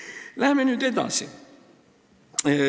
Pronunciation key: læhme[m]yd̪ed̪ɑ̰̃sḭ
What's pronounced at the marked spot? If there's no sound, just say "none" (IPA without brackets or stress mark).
n